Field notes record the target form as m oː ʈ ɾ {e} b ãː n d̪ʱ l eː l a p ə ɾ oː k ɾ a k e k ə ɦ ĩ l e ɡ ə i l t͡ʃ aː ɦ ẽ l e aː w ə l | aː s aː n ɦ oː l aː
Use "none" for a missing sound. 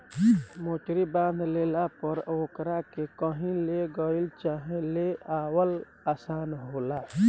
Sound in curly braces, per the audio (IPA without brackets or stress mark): i